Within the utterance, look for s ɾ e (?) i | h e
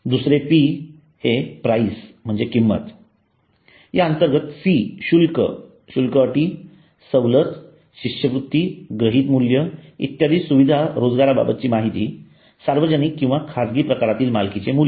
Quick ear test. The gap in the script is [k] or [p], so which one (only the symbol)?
p